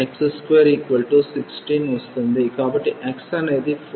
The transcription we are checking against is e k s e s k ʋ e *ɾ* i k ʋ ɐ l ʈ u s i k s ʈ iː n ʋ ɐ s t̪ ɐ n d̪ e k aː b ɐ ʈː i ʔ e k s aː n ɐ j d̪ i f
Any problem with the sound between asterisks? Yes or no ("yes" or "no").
no